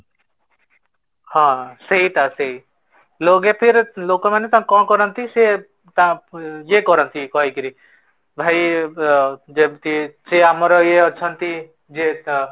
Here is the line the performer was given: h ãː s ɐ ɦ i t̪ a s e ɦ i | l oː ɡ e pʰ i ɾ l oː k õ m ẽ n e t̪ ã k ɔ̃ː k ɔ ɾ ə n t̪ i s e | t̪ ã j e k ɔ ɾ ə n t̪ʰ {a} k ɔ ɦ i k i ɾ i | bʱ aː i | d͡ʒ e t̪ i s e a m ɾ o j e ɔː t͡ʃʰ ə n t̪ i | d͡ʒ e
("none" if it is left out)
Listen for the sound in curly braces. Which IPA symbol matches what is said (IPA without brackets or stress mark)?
i